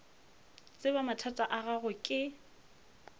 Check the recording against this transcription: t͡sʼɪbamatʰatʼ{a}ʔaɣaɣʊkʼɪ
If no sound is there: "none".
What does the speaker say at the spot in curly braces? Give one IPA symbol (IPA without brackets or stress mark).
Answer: a